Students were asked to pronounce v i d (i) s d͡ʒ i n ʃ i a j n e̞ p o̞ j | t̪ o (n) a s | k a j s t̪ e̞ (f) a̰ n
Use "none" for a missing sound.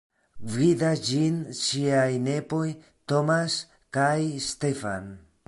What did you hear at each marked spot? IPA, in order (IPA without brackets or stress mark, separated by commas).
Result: a, m, f